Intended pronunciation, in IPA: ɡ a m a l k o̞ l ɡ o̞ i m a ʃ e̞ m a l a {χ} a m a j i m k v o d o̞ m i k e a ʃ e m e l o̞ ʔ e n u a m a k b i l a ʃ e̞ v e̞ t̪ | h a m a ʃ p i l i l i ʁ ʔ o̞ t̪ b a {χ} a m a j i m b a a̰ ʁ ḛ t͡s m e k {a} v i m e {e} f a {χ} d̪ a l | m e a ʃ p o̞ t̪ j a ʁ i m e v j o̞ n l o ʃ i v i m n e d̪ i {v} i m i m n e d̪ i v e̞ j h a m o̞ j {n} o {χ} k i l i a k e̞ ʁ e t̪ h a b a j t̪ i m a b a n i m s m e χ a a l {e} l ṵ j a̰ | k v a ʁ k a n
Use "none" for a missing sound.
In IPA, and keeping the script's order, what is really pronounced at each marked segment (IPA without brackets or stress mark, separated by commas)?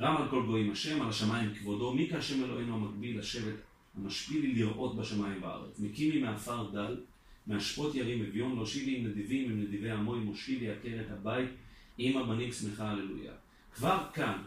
ʃ, ʃ, i, a, ʁ, v, m, ʃ, e